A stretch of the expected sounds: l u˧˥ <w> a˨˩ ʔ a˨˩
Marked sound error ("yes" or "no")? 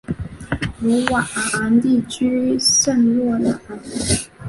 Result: no